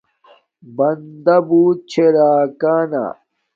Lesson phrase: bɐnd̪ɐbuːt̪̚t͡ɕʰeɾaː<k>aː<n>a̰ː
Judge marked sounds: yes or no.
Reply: yes, yes

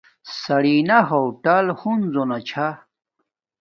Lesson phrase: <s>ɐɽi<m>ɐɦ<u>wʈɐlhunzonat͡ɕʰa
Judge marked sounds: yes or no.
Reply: yes, no, no

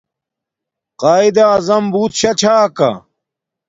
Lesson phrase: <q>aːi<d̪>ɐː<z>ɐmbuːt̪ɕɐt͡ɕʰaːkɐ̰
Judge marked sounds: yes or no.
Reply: yes, yes, yes

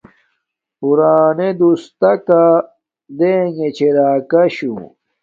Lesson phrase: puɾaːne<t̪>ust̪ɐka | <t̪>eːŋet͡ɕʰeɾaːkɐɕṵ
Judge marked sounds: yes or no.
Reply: no, no

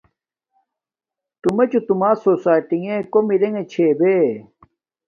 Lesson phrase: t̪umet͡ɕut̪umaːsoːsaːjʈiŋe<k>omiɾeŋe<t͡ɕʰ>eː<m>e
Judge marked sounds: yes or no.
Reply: yes, yes, no

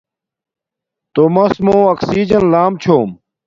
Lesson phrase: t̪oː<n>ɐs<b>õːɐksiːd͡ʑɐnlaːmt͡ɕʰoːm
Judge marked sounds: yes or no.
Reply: no, no

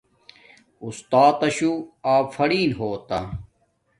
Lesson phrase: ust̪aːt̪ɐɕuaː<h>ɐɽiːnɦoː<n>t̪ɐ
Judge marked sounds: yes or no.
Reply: no, no

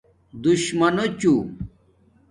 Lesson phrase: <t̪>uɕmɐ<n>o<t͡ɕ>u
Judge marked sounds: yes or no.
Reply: no, yes, yes

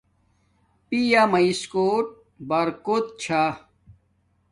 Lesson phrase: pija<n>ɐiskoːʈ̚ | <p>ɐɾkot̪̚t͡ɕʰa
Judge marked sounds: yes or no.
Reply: no, no

